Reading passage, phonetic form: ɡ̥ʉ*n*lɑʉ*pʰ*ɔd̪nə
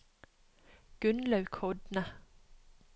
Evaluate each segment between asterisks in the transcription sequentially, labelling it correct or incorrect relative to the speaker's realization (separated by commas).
correct, incorrect